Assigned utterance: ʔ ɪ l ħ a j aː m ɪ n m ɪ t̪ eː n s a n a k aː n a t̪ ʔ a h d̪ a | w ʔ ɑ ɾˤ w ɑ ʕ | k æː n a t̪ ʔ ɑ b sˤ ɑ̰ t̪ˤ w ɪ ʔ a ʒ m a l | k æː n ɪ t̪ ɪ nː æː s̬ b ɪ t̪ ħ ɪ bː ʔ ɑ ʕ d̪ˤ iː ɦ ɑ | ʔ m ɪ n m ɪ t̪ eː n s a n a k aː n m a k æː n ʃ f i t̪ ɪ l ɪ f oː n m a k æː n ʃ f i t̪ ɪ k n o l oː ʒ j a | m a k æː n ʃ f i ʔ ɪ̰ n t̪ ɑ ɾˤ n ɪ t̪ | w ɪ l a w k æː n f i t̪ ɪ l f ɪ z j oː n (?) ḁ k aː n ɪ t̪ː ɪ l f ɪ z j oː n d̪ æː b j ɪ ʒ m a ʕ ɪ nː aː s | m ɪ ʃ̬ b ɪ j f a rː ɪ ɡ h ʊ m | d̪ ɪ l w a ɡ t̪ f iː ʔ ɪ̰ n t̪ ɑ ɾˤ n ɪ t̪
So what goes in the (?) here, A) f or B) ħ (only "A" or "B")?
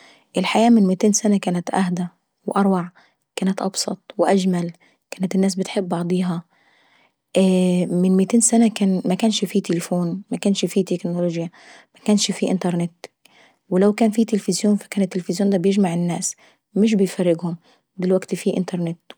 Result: A